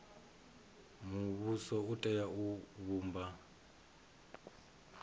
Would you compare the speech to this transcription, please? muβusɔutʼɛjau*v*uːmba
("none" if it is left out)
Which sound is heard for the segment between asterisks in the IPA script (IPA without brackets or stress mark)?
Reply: β